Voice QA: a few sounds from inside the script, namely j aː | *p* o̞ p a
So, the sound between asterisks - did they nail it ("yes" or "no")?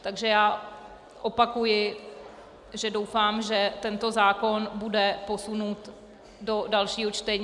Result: no